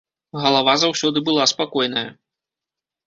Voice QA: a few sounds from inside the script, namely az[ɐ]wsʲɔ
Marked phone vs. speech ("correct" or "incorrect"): incorrect